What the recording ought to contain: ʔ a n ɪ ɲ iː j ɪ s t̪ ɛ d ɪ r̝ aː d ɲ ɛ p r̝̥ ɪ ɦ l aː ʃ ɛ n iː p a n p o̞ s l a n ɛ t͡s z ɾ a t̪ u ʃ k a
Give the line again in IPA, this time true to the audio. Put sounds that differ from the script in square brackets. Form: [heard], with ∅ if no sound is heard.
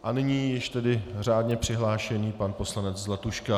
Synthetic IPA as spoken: ʔ a n ɪ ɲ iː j ɪ [ʃ] t̪ ɛ d ɪ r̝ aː d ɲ ɛ p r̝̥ ɪ ɦ l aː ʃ ɛ n iː p a n p o̞ s l a n ɛ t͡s z [l] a t̪ u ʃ k a